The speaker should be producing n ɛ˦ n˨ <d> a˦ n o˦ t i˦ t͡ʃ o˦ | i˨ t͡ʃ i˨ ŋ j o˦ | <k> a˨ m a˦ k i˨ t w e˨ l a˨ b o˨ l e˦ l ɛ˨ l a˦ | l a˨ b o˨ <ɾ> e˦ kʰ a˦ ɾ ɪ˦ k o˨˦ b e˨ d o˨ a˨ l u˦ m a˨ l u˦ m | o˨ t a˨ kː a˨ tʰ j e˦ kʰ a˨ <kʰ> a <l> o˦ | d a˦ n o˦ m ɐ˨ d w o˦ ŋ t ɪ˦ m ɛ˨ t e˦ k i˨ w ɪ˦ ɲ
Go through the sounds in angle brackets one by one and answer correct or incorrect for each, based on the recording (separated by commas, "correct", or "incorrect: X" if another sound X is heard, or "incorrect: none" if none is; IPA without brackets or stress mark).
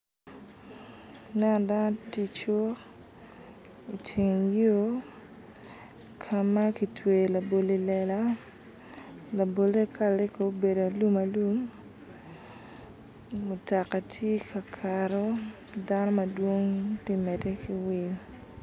correct, incorrect: kʰ, incorrect: l, correct, incorrect: ɾ